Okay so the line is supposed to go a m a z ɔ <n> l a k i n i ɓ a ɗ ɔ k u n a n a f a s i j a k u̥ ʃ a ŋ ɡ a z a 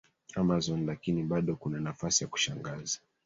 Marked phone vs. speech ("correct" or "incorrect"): correct